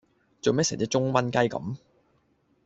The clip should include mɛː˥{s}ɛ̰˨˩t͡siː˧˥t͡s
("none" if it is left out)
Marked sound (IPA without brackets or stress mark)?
s